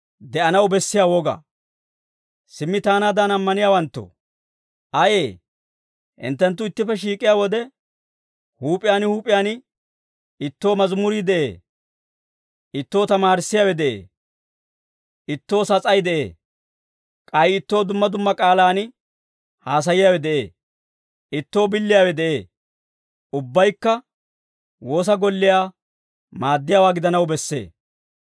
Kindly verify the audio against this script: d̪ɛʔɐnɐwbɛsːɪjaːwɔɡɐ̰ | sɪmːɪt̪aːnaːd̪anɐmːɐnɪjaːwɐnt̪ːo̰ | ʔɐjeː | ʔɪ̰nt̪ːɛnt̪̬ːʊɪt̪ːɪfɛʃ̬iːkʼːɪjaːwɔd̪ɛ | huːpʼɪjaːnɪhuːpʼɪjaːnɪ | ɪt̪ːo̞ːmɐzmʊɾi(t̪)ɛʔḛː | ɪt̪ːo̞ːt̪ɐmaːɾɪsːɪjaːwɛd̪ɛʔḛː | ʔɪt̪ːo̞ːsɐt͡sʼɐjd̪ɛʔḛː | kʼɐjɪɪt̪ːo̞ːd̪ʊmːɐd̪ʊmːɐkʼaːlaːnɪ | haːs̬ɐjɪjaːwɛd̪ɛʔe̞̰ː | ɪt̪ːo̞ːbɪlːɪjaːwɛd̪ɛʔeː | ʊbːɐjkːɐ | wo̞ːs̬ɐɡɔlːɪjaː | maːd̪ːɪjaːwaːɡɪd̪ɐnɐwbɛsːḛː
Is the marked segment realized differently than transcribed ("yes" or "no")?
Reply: yes